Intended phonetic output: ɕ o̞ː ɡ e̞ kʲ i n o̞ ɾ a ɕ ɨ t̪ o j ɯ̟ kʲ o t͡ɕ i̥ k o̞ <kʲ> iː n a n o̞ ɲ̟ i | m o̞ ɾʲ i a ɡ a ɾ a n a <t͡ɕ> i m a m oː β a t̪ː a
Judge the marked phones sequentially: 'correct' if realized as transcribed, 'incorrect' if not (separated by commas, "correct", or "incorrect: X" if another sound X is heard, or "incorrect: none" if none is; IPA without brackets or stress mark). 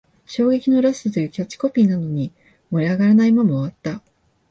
incorrect: pʲ, incorrect: none